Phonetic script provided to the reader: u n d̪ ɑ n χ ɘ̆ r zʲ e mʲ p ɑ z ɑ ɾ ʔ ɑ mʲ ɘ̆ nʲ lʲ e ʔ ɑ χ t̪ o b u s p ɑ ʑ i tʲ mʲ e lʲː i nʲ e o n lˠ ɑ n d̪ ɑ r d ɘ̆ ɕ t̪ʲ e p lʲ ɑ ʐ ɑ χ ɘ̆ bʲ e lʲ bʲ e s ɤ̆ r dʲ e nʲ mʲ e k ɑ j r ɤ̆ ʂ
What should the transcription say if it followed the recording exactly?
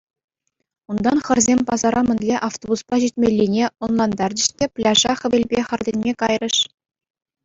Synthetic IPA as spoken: u n d̪ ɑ n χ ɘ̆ r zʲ e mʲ p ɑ z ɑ ɾ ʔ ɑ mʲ ɘ̆ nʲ lʲ e ʔ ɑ f t̪ o b u s p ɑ ʑ i tʲ mʲ e lʲː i nʲ e o n lˠ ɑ n d̪ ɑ r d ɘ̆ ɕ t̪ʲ e p lʲ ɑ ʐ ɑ χ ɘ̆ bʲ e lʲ bʲ e χ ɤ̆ r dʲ e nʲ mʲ e k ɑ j r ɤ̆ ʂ